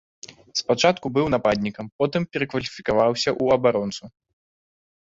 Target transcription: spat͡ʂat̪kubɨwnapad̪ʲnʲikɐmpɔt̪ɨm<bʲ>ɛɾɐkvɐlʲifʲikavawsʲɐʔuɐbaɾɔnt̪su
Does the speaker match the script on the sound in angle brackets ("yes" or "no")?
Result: no